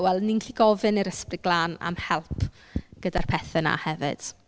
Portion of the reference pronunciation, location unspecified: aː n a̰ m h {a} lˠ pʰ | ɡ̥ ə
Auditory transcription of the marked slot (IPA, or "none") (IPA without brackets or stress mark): ɛ